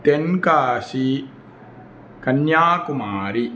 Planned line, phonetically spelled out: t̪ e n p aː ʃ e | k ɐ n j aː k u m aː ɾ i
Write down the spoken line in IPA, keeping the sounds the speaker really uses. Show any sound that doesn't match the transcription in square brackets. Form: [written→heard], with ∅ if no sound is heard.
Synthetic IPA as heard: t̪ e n [p→k] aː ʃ [e→i] | k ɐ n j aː k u m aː ɾ i